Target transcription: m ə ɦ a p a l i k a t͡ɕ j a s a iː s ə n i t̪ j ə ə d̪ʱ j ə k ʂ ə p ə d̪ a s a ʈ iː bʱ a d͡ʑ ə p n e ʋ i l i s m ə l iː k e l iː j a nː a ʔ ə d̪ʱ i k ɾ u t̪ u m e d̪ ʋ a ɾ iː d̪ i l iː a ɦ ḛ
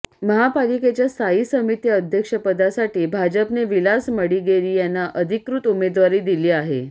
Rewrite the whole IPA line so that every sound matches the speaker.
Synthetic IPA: m ə ɦ a p a l i k e t͡ɕ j a s a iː s ə m i t̪ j ə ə d̪ʱ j ə k ʂ ə p ə d̪ a s a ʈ iː bʱ a d͡ʑ ə p n e ʋ i l a s m ə ɽ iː ɡ e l iː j a nː a ʔ ə d̪ʱ i k ɾ u t̪ u m e d̪ ʋ a ɾ iː d̪ i l iː a ɦ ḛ

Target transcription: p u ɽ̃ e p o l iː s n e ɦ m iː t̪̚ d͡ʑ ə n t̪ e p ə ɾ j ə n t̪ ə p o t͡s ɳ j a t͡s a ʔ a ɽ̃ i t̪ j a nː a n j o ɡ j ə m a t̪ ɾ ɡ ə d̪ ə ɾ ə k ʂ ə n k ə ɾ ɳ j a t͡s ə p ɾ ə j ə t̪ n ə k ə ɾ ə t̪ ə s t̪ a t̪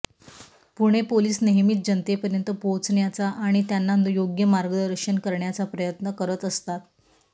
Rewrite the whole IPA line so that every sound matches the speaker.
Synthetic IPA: p u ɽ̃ e p o l iː s n e ɦ m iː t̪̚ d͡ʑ ə n t̪ e p ə ɾ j ə n t̪ ə p o t͡s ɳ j a t͡s a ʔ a ɽ̃ i t̪ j a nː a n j o ɡ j ə m a ɾ ɡ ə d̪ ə ɾ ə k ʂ ə n k ə ɾ ɳ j a t͡s a p ɾ ə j ə t̪ n ə k ə ɾ ə t̪ ə s t̪ a t̪

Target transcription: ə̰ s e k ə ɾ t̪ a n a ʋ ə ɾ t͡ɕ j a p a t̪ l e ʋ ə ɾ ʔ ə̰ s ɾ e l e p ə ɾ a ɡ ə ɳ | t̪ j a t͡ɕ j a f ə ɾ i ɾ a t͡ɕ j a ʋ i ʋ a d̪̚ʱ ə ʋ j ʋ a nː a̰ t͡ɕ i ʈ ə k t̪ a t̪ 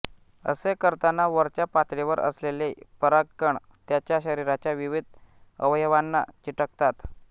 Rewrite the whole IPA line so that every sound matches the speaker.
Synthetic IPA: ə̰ s e k ə ɾ t̪ a n a ʋ ə ɾ t͡ɕ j a p a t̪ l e ʋ ə ɾ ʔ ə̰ s l e l e p ə ɾ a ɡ ə ɳ | t̪ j a t͡ɕ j a ɕ ə ɾ i ɾ a t͡ɕ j a ʋ i ʋ i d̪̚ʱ ə ʋ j ʋ a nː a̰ t͡ɕ i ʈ ə k t̪ a t̪

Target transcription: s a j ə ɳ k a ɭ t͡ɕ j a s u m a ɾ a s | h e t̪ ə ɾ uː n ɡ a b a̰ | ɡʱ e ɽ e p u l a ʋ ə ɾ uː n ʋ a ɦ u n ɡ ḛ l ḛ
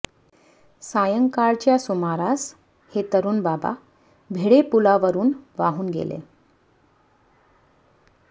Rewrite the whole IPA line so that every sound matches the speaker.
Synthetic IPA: s a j ə ŋ k a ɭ t͡ɕ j a s u m a ɾ a s | h e t̪ ə ɾ uː n b a b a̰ | bʱ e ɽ e p u l a ʋ ə ɾ uː n ʋ a ɦ uː n ɡ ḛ l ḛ

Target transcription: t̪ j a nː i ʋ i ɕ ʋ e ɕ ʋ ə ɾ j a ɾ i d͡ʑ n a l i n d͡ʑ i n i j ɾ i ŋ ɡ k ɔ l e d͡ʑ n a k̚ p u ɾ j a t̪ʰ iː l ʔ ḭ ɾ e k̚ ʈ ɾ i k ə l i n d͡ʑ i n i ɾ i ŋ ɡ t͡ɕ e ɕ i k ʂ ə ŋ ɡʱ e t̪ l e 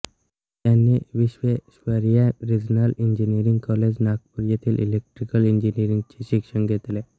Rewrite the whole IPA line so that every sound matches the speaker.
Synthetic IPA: t̪ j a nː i ʋ i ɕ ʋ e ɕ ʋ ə ɾ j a ɾ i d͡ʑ n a l i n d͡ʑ i n i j ɾ i ŋ ɡ k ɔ l e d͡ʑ n a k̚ p u ɾ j a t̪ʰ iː l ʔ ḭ l e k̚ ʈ ɾ i k ə l i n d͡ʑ i n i ɾ i ŋ ɡ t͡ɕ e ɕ i k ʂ ə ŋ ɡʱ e t̪ l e

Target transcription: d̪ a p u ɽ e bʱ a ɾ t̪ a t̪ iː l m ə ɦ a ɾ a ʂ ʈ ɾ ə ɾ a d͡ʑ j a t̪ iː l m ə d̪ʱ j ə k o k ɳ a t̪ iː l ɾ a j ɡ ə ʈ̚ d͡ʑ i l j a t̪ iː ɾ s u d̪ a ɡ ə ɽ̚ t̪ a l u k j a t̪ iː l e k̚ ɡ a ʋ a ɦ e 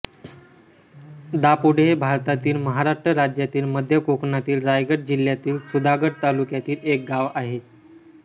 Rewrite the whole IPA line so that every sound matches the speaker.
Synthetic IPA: d̪ a p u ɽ e bʱ a ɾ t̪ a t̪ iː l m ə ɦ a ɾ a ʂ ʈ ɾ ə ɾ a d͡ʑ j a t̪ iː l m ə d̪ʱ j ə k o k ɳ a t̪ iː l ɾ a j ɡ ə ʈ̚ d͡ʑ i l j a t̪ iː l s u d̪ a ɡ ə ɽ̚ t̪ a l u k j a t̪ iː l e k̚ ɡ a ʋ a ɦ e

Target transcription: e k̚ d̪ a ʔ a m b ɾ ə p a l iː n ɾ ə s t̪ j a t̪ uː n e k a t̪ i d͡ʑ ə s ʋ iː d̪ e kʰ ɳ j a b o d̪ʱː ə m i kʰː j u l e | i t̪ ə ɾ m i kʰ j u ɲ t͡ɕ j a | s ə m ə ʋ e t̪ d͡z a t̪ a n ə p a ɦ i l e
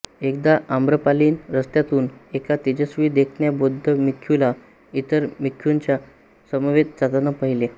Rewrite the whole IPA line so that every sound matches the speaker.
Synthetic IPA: e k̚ d̪ a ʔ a m b ɾ ə p a l iː n ɾ ə s t̪ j a t̪ uː n e k a t̪ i d͡ʑ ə s ʋ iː d̪ e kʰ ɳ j a b o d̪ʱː ə m i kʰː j u l a | i t̪ ə ɾ m i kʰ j u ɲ t͡ɕ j a | s ə m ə ʋ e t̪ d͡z a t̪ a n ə p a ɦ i l e

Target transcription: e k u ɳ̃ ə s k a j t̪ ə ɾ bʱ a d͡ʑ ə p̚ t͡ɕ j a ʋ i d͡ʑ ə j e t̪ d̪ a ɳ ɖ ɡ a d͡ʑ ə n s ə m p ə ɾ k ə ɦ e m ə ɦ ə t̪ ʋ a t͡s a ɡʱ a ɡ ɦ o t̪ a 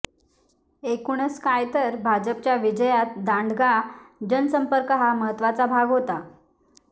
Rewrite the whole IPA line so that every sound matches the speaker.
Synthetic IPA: e k u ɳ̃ ə s k a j t̪ ə ɾ bʱ a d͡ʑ ə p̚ t͡ɕ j a ʋ i d͡ʑ ə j a t̪ d̪ a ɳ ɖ ɡ a d͡ʑ ə n s ə m p ə ɾ k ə ɦ a m ə ɦ ə t̪ ʋ a t͡s a bʱ a ɡ ɦ o t̪ a

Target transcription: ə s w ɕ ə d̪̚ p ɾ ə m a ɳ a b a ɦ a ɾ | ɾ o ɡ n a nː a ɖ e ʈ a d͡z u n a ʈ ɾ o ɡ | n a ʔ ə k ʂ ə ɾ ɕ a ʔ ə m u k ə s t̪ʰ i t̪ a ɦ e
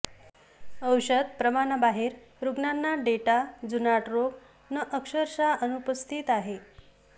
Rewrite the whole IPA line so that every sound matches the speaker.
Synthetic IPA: ə w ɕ ə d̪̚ p ɾ ə m a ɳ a b a ɦ e ɾ | ɾ u ɡ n a nː a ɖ e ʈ a d͡z u n a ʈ ɾ o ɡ | n ə ʔ ə k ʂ ə ɾ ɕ a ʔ ə n u p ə s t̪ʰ i t̪ a ɦ e

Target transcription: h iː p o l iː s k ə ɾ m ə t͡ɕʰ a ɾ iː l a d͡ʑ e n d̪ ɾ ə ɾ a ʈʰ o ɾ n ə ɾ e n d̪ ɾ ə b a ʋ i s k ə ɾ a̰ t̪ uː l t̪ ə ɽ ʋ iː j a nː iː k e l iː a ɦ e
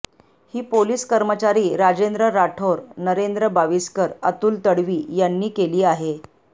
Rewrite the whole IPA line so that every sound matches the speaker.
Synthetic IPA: h iː p o l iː s k ə ɾ m ə t͡ɕ a ɾ iː ɾ a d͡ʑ e n d̪ ɾ ə ɾ a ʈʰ o ɾ n ə ɾ e n d̪ ɾ ə b a ʋ i s k ə ɾ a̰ t̪ uː l t̪ ə ɽ ʋ iː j a nː iː k e l iː a ɦ e

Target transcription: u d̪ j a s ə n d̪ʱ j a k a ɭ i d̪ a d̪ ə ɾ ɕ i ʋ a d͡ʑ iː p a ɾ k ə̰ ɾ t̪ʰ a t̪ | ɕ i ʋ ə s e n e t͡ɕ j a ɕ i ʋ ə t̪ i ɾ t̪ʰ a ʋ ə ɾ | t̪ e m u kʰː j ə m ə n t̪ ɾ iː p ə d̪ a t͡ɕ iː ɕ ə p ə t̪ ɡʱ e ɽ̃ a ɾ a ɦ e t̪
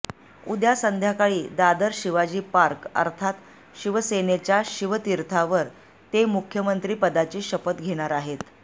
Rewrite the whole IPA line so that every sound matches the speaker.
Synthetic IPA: u d̪ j a s ə n d̪ʱ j a k a ɭ iː d̪ a d̪ ə ɾ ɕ i ʋ a d͡ʑ iː p a ɾ k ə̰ ɾ t̪ʰ a t̪ | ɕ i ʋ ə s e n e t͡ɕ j a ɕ i ʋ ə t̪ i ɾ t̪ʰ a ʋ ə ɾ | t̪ e m u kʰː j ə m ə n t̪ ɾ iː p ə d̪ a t͡ɕ iː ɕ ə p ə t̪ ɡʱ e ɽ̃ a ɾ a ɦ e t̪

